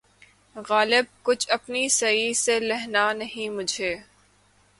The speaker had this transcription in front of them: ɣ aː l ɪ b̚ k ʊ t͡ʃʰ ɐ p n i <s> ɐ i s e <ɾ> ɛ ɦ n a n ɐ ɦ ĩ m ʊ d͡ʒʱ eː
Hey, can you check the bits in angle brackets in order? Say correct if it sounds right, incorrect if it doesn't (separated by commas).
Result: correct, incorrect